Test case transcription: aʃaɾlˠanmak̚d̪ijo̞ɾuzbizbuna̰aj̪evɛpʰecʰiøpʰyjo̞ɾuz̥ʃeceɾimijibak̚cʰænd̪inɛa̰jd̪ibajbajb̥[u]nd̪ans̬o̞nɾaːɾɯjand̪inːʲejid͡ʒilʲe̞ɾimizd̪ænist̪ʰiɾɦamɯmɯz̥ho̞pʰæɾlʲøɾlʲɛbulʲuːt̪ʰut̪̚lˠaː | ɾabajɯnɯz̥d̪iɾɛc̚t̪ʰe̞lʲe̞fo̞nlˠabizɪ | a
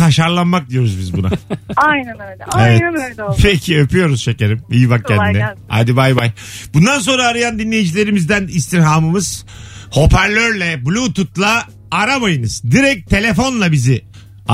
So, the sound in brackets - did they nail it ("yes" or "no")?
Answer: yes